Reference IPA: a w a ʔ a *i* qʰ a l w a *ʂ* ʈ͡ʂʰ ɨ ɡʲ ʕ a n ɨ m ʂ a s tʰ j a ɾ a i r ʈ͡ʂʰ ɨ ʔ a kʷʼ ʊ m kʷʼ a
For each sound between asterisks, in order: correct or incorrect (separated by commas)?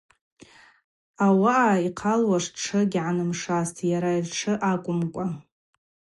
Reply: correct, correct